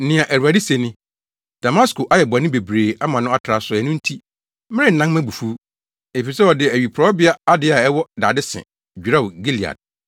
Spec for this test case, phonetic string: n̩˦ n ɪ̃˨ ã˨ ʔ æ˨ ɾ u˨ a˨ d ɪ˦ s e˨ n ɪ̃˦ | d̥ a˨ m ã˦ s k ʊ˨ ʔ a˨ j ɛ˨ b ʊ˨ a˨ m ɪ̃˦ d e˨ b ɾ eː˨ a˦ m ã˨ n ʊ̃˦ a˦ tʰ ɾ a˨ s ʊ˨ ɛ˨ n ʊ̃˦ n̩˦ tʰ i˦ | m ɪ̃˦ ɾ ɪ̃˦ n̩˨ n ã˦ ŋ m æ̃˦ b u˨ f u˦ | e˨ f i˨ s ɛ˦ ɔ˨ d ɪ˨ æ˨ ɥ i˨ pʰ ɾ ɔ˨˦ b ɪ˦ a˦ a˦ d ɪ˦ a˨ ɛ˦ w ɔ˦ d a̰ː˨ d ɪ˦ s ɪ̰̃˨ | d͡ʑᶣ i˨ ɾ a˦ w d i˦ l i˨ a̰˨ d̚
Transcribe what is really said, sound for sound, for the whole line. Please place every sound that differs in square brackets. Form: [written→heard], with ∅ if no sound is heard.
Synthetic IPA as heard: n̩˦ n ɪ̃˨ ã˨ ʔ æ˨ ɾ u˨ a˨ d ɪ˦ s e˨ n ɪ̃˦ | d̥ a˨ m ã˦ s k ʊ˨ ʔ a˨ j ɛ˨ b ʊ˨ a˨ [m→n] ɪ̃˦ [d→b] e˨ b ɾ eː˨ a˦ m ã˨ n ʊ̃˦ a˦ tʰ ɾ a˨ s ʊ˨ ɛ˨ n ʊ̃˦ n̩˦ tʰ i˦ | m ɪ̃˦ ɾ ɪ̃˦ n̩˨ n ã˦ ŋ m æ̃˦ b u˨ f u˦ | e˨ f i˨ s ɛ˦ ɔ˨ d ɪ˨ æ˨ ɥ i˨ pʰ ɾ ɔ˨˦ b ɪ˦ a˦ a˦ d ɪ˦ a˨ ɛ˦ w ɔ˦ d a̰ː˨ d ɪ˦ s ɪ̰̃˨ | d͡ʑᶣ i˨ ɾ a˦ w [d→ɡ] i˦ l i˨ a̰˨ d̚

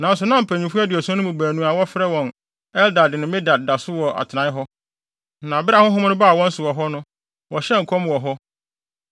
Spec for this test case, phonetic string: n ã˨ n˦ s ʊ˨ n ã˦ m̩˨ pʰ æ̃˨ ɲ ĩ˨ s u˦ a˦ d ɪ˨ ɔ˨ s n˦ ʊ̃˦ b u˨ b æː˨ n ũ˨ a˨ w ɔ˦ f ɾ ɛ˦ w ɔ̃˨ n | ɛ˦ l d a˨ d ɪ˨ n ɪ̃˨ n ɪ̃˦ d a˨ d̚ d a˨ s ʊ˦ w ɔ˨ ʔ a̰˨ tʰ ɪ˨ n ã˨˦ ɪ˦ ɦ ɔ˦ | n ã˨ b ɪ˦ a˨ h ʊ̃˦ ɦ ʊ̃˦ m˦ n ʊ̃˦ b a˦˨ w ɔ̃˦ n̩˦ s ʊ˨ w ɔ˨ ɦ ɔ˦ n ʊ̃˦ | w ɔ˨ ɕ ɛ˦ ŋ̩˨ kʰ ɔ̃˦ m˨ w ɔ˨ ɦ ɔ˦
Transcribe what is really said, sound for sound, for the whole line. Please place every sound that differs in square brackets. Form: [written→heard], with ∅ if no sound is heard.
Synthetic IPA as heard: n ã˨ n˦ s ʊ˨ n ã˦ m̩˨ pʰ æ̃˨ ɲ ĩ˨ [s→f] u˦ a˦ d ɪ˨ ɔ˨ s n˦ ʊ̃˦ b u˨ b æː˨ n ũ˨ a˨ w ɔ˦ f ɾ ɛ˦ w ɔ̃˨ n | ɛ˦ l d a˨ d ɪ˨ n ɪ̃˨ [n→m] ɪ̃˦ d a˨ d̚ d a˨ s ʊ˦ w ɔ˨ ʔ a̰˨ tʰ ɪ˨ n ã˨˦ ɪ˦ ɦ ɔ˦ | n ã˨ b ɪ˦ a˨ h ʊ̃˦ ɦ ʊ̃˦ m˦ n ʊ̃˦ b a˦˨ w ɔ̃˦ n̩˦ s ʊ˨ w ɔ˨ ɦ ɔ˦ n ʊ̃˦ | w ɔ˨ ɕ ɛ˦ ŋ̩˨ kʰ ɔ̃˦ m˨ w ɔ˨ ɦ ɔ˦

